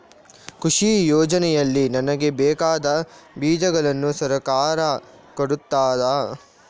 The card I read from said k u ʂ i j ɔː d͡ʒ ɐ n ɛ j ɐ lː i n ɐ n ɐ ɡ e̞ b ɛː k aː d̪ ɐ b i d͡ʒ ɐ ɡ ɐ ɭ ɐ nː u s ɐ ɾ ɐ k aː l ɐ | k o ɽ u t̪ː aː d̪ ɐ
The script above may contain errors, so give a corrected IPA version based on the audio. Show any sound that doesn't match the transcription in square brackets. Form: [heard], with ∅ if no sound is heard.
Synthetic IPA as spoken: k u ʂ i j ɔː d͡ʒ ɐ n ɛ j ɐ lː i n ɐ n ɐ ɡ e̞ b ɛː k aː d̪ ɐ b [iː] d͡ʒ ɐ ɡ ɐ ɭ ɐ nː u s ɐ ɾ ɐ k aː [ɾ] ɐ | k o ɽ u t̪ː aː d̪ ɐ